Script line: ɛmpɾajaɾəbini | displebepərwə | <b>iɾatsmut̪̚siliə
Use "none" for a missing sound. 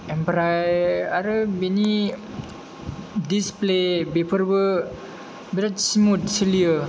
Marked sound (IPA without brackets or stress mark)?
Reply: b